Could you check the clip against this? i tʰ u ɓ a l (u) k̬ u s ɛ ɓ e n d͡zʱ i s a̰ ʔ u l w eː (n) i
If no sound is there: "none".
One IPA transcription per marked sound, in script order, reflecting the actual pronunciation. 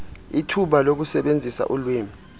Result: o, m

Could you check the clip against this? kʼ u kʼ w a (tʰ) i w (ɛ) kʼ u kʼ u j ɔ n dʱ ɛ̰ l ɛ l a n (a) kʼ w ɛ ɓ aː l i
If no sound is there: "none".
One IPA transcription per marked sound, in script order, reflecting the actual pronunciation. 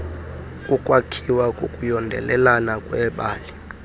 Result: kʰ, a, a

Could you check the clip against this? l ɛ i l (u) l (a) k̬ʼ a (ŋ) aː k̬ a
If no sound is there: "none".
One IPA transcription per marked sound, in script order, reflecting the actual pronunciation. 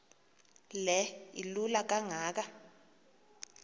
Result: u, a, ŋ

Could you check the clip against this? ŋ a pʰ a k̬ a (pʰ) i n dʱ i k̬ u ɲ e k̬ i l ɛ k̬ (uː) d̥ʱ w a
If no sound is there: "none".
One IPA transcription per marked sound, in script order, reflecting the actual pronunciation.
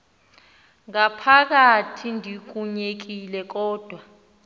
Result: tʰ, ɔː

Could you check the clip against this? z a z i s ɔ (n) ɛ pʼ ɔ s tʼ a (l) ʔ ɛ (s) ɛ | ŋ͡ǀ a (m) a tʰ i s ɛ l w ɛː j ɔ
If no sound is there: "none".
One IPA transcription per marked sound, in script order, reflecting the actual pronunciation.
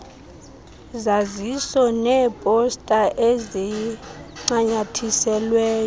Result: n, none, z, ɲ

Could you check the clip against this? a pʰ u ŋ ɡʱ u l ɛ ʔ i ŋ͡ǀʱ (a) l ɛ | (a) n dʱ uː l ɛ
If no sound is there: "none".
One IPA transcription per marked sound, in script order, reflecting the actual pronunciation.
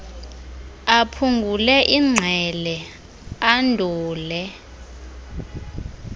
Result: ɛ, a

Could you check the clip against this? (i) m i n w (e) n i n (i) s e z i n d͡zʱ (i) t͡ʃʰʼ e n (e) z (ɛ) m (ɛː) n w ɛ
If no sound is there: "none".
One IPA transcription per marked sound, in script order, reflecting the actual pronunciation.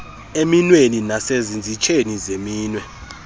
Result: e, e, a, i, i, e, iː

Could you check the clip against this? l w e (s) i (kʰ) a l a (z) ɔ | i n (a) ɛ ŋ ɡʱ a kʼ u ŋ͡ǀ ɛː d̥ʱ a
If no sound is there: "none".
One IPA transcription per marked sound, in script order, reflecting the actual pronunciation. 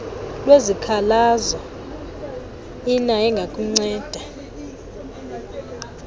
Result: z, kʰ, z, a

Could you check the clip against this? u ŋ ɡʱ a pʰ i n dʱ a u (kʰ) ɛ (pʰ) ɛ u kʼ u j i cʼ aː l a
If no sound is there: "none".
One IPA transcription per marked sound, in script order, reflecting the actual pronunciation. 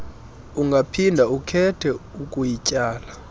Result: kʰ, tʰ

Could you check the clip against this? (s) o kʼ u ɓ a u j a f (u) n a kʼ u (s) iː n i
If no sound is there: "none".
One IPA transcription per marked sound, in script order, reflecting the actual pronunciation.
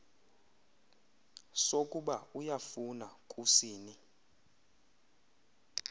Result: s, u, s

